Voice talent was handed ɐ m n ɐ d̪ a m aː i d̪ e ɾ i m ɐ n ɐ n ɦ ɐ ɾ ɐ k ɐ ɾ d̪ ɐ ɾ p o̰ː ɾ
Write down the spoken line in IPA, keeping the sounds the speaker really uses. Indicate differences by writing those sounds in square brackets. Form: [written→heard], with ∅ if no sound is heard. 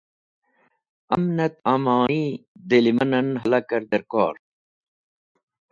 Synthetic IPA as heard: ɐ m n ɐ [d̪→t̪] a m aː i d̪ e [ɾ→l] i m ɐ n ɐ n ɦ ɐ [ɾ→l] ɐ k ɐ ɾ d̪ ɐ ɾ [p→k] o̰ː ɾ